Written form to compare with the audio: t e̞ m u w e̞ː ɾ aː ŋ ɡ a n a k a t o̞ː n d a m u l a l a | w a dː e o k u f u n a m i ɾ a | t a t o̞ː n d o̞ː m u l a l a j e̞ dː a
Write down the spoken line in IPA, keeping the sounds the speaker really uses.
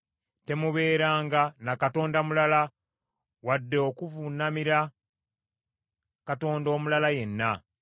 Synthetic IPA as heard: t e̞ m u β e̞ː ɾ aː ŋ ɡ a n a k a t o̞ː n d a m u l a l a | w a dː e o k u v u n a m i ɾ a | k a t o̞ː n d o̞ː m u l a l a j e̞ nː a